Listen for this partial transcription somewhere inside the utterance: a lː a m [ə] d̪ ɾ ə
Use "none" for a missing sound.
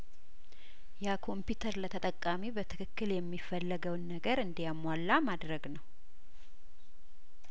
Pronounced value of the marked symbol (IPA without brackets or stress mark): a